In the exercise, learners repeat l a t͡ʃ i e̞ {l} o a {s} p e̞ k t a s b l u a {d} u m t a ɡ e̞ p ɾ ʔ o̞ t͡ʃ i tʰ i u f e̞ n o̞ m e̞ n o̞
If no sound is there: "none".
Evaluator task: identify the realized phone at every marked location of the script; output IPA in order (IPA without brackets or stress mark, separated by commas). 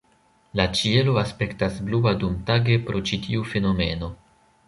l, s, d